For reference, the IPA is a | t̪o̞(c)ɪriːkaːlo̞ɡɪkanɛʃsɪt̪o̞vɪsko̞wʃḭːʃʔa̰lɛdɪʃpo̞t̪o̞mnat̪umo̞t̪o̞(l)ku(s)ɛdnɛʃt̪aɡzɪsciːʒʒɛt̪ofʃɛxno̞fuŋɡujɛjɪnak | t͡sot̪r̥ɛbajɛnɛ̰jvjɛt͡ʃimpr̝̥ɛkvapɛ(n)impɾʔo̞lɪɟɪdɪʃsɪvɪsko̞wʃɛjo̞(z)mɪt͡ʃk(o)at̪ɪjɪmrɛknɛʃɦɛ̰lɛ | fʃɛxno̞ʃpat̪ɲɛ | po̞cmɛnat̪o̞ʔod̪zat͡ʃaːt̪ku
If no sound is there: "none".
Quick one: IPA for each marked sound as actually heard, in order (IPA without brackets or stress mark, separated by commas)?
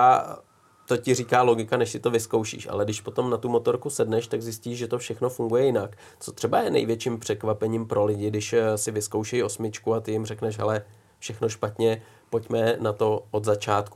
c, ɾ, s, ɲ, s, u